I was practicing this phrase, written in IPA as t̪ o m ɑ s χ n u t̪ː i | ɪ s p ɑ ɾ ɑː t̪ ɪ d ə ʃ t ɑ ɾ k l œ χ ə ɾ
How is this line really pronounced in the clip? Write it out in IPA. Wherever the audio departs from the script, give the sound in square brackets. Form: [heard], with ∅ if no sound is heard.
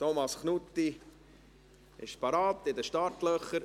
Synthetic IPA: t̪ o m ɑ s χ n u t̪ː i | ɪ [ʃ] p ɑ ɾ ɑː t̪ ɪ d ə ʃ t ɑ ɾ [t] l œ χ ə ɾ